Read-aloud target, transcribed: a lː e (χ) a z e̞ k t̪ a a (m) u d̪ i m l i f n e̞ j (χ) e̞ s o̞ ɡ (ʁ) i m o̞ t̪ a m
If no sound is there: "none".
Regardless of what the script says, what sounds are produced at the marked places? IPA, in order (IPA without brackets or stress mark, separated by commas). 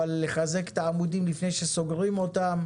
χ, m, ʃ, ʁ